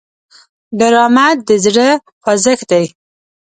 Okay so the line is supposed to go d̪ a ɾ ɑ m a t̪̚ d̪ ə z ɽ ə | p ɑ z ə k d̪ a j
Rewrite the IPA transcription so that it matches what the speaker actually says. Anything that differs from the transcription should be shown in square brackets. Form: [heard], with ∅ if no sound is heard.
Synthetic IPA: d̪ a ɾ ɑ m a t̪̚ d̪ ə z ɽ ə | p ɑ z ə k d̪ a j